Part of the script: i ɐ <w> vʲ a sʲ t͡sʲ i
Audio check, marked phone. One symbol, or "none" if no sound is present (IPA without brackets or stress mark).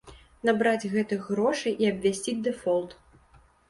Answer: b